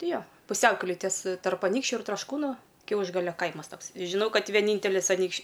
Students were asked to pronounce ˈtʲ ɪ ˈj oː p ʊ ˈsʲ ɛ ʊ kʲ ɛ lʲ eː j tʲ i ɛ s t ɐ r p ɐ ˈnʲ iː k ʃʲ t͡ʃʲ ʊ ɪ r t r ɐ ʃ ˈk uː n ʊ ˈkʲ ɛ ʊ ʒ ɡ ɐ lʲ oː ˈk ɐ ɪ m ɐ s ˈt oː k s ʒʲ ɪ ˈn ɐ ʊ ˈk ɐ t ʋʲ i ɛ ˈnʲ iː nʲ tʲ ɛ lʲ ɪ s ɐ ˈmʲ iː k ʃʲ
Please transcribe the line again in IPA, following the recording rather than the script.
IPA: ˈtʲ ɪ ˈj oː p ʊ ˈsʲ ɛ ʊ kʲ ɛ lʲ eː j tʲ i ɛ s t ɐ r p ɐ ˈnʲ iː k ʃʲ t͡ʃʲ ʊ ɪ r t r ɐ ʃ ˈk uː n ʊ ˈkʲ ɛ ʊ ʒ ɡ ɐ lʲ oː ˈk ɐ ɪ m ɐ s ˈt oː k s ʒʲ ɪ ˈn ɐ ʊ ˈk ɐ t ʋʲ i ɛ ˈnʲ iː nʲ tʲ ɛ lʲ ɪ s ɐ ˈnʲ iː k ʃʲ

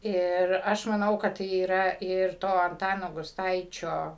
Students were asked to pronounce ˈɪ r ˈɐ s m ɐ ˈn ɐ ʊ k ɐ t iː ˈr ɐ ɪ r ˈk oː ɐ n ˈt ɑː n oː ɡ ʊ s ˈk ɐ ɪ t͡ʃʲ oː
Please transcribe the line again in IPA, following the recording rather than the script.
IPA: ˈɪ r ˈɐ ʃ m ɐ ˈn ɐ ʊ k ɐ t iː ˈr ɐ ɪ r ˈt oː ɐ n ˈt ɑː n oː ɡ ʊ s ˈt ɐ ɪ t͡ʃʲ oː

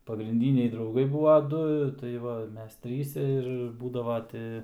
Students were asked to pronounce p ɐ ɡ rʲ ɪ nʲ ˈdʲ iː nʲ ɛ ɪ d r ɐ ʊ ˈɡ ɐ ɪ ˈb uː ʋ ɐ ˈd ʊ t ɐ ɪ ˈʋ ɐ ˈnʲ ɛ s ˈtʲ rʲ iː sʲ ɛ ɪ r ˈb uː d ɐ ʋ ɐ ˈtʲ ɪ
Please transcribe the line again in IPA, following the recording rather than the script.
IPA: p ɐ ɡ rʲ ɪ nʲ ˈdʲ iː nʲ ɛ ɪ d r ɐ ʊ ˈɡ ɐ ɪ ˈb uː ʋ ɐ ˈd ʊ t ɐ ɪ ˈʋ ɐ ˈmʲ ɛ s ˈtʲ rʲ iː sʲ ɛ ɪ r ˈb uː d ɐ ʋ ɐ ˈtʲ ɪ

